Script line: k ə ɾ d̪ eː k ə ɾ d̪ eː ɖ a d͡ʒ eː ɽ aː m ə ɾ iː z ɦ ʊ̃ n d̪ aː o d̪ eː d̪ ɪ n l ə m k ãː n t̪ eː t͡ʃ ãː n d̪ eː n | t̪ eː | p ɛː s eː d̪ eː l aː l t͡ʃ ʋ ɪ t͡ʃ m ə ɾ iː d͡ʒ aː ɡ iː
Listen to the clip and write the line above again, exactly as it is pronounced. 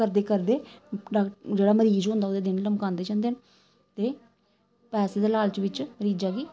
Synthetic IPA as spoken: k ə ɾ d̪ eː k ə ɾ d̪ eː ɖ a d͡ʒ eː ɽ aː m ə ɾ iː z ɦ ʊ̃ n d̪ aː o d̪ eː d̪ ɪ n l ə m k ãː n d̪ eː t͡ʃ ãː n d̪ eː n | t̪ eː | p ɛː s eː d̪ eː l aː l t͡ʃ ʋ ɪ t͡ʃ m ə ɾ iː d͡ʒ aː ɡ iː